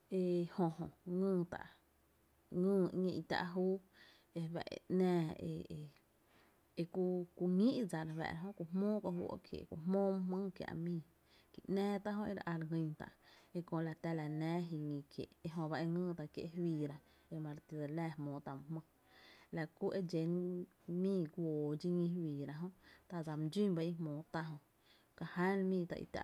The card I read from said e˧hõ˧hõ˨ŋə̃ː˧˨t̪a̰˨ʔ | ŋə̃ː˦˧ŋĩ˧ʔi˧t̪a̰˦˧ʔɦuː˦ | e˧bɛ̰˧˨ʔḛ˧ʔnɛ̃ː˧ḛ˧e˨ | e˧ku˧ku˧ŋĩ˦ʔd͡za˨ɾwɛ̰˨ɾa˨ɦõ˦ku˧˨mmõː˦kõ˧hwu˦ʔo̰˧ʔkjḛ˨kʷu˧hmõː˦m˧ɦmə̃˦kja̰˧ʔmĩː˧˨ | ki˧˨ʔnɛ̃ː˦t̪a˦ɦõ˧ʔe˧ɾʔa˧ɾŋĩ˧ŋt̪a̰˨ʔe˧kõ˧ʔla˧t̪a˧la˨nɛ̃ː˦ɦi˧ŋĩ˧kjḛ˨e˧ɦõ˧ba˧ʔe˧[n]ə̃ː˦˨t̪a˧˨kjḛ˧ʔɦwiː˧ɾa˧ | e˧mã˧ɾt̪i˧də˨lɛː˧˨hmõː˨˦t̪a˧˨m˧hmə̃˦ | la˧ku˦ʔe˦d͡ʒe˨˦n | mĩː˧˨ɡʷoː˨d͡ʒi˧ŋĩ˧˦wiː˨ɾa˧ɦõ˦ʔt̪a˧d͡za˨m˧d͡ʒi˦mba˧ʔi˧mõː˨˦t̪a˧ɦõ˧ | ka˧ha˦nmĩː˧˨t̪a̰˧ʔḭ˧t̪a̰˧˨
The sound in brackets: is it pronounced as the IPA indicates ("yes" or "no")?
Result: no